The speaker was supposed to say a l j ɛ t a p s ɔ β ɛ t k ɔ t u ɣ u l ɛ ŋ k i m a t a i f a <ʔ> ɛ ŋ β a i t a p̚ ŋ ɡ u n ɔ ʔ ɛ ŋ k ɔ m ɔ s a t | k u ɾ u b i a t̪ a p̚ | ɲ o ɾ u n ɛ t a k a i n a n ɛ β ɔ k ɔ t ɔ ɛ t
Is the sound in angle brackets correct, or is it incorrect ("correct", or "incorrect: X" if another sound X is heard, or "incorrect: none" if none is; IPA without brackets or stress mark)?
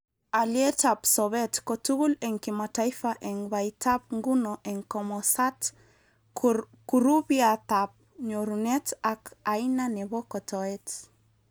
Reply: correct